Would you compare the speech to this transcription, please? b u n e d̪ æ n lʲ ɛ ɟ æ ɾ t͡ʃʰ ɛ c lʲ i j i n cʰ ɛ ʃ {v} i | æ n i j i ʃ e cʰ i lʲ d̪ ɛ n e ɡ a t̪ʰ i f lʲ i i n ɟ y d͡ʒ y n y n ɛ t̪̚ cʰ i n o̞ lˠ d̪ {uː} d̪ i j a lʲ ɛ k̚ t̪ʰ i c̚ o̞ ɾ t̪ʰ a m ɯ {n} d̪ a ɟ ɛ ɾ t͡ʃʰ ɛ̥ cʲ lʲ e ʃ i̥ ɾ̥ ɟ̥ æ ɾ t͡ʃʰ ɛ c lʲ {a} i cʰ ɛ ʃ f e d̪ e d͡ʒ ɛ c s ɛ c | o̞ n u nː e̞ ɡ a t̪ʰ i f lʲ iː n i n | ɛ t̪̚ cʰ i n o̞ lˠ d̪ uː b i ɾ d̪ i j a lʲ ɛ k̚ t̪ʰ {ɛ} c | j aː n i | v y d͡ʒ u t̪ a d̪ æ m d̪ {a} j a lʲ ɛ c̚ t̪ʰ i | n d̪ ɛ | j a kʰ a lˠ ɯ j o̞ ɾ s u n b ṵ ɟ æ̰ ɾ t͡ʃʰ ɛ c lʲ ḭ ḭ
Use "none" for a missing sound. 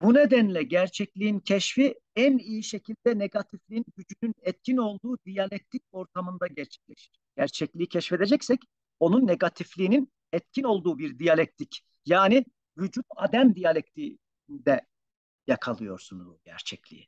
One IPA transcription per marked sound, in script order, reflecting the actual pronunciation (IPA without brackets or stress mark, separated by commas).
f, uː, n, i, i, i